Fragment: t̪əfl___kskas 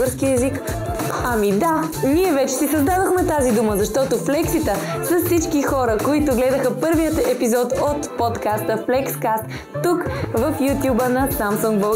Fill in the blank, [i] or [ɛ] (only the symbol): ɛ